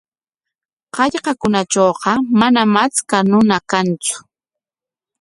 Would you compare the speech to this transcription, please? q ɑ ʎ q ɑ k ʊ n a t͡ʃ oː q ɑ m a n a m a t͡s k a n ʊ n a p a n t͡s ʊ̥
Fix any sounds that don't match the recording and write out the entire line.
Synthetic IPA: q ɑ ʎ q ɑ k ʊ n a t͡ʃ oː q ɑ m a n a m a t͡s k a n ʊ n a k a n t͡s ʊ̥

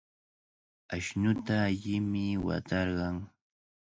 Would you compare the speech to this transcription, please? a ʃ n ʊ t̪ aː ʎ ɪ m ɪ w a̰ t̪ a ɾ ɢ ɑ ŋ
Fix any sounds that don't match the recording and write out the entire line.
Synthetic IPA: a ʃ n ʊ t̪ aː ʎ ɪ m ɪ w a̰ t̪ ɑ ɾ ɢ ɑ ŋ

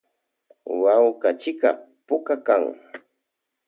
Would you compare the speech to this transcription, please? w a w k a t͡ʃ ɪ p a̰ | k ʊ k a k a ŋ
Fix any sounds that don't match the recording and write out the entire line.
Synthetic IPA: w a w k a t͡ʃ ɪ k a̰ | p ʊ k a k a ŋ

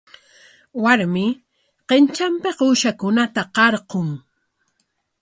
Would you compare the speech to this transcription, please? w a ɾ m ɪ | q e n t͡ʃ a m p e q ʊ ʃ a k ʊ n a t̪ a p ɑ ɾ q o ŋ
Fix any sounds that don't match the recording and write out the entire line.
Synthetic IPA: w a ɾ m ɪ | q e n t͡ʃ a m p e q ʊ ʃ a k ʊ n a t̪ a q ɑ ɾ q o ŋ

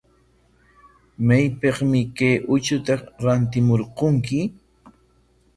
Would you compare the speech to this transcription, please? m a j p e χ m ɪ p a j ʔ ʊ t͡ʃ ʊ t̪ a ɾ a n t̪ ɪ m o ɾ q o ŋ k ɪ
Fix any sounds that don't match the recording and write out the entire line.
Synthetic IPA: m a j p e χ m ɪ k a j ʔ ʊ t͡ʃ ʊ t̪ a ɾ a n t̪ ɪ m o ɾ q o ŋ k ɪ

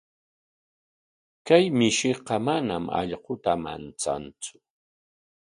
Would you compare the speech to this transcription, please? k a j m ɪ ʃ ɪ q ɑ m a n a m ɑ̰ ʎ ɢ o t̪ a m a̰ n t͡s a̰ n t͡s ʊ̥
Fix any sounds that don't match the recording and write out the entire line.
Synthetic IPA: k a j m ɪ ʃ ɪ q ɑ m a n a m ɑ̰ ʎ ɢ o t̪ a m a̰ n t͡s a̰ n t͡s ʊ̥

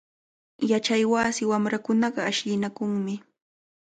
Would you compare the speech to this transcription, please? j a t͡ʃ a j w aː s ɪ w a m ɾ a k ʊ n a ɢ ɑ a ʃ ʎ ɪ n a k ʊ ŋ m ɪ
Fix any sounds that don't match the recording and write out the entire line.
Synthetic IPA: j a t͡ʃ a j w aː s ɪ w a m ɾ a k ʊ n ɑ ɢ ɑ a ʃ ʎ ɪ n a k ʊ ŋ m ɪ

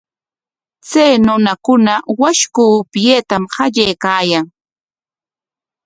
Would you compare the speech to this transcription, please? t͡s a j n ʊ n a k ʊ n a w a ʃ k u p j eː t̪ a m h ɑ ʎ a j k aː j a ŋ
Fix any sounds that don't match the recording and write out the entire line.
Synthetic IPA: t͡s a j n ʊ n a k ʊ n a w a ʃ k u p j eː t̪ a m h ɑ ʎ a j k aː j a ŋ

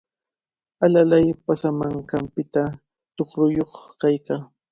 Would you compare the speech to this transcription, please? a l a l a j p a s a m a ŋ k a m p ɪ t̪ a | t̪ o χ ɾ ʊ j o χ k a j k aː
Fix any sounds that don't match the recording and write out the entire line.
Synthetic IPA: a l a l a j p a s a m a ŋ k a m p ɪ t̪ a | t̪ o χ ɾ ʊ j o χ k a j k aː

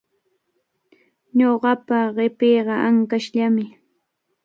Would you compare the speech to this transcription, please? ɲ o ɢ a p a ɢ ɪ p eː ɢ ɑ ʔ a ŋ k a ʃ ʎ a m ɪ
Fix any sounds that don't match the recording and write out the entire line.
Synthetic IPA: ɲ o ɢ ɑ p a ɢ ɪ p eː ɢ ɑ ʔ a ŋ k a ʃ ʎ a m ɪ

